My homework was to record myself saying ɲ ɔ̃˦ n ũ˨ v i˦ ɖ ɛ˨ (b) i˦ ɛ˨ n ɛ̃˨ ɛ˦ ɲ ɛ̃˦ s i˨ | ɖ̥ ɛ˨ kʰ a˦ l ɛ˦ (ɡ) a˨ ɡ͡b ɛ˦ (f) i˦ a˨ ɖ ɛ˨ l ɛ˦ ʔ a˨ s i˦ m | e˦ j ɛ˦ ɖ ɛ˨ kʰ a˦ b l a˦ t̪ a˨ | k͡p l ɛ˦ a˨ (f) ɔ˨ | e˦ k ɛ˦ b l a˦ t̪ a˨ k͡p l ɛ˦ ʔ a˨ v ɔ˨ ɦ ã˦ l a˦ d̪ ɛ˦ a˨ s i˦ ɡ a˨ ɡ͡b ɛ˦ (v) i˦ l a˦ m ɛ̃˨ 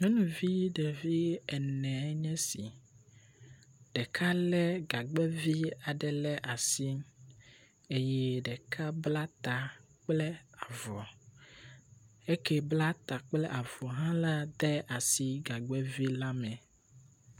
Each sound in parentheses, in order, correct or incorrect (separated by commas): incorrect, correct, incorrect, incorrect, correct